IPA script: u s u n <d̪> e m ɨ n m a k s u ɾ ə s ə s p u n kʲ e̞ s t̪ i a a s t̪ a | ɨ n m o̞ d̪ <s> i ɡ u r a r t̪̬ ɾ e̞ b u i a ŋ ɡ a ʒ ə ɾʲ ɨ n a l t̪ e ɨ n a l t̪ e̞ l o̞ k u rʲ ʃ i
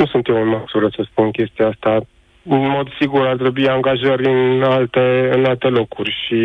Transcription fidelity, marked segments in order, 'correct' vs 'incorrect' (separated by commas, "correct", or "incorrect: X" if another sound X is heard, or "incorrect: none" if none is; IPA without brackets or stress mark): incorrect: t̪, correct